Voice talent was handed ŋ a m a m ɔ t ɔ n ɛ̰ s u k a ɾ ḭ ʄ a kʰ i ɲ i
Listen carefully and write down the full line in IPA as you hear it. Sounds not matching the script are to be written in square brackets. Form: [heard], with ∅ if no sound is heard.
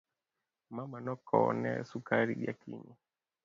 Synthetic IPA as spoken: [m] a m a [n] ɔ [k] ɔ n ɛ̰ s u k a ɾ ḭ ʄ a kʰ i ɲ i